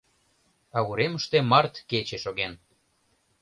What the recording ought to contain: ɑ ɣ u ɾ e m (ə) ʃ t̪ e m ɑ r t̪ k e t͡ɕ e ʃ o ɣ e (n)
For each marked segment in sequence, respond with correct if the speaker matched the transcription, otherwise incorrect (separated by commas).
correct, correct